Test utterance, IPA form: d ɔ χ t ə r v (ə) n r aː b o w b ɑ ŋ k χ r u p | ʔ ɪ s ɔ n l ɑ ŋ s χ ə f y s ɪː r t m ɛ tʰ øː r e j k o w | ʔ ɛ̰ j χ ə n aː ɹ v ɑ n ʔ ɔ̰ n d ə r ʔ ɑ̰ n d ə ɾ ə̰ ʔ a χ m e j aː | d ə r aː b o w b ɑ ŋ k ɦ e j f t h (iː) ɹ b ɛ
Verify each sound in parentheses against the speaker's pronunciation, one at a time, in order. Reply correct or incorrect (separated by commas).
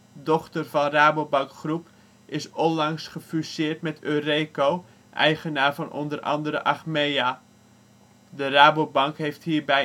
incorrect, correct